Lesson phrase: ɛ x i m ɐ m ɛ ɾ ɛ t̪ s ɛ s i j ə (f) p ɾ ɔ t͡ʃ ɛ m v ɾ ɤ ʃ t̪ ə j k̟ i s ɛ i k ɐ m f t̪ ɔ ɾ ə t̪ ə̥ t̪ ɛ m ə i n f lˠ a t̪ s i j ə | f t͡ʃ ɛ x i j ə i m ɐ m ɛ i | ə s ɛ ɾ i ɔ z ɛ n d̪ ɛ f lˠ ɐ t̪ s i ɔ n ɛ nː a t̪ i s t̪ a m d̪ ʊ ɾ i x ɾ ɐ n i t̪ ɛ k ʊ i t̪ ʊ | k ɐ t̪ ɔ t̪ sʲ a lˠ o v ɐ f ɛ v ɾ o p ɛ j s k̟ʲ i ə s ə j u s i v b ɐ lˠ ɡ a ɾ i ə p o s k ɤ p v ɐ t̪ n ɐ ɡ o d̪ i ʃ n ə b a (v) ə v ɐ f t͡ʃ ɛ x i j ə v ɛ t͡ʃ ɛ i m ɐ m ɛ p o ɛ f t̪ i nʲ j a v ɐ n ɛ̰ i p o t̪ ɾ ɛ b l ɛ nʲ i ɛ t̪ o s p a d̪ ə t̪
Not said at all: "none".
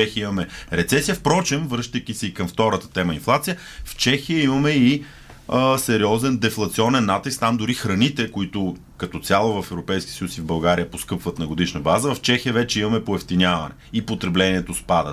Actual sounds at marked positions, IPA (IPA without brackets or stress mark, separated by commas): f, z